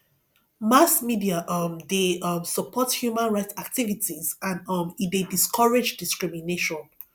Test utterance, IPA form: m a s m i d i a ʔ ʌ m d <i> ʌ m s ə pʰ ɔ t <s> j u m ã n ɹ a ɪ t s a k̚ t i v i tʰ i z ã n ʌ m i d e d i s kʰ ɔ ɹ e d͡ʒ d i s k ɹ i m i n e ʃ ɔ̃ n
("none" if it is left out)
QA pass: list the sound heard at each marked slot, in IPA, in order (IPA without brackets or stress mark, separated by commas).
e, h